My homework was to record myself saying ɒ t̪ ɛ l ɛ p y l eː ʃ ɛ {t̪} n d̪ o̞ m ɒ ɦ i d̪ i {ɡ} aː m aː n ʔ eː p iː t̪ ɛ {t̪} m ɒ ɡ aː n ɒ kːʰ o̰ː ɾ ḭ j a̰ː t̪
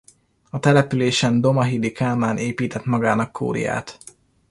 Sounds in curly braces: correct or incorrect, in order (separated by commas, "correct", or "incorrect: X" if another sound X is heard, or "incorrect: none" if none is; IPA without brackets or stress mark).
incorrect: none, incorrect: k, correct